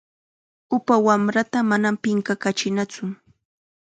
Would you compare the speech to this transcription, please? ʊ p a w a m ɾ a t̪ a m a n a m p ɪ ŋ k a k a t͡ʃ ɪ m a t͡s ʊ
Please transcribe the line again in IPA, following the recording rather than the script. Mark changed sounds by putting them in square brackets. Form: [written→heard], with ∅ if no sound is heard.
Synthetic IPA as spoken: ʊ p a w a m ɾ a t̪ a m a n a m p ɪ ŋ k a k a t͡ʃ ɪ [m→n] a t͡s ʊ